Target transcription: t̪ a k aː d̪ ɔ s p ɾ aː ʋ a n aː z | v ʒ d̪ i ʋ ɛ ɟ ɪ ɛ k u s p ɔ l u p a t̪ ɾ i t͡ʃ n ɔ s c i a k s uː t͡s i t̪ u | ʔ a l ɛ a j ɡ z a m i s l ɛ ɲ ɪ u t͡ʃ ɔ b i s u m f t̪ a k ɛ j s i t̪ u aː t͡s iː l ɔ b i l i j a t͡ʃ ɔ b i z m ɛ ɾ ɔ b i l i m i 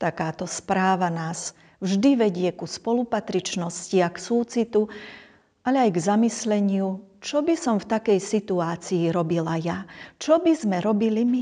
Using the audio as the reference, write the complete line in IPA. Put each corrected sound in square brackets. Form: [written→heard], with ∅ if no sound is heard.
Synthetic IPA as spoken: t̪ a k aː [d̪→t̪] ɔ s p ɾ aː ʋ a n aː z | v ʒ d̪ i ʋ ɛ ɟ ɪ ɛ k u s p ɔ l u p a t̪ ɾ i t͡ʃ n ɔ s c i a k s uː t͡s i t̪ u | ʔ a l ɛ a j ɡ z a m i s l ɛ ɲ ɪ u t͡ʃ ɔ b i s [u→ɔ] m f t̪ a k ɛ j s i t̪ u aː t͡s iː [l→ɾ] ɔ b i l [i→a] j a t͡ʃ ɔ b i z m ɛ ɾ ɔ b i l i m i